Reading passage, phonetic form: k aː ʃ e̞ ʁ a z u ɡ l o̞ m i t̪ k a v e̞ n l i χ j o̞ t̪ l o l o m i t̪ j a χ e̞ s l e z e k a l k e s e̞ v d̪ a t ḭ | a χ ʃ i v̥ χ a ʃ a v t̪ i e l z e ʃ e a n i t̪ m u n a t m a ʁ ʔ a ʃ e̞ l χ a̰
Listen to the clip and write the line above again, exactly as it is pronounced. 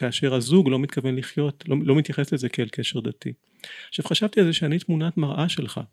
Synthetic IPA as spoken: k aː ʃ e̞ ʁ a z u ɡ l o̞ m i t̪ k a v e̞ n l i χ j o̞ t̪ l o l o m i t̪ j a χ e̞ s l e z e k e l k e ʃ e̞ ʁ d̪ a t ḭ | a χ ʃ a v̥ χ a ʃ a v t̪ i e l z e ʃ e a n i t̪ m u n a t m a ʁ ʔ a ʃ e̞ l χ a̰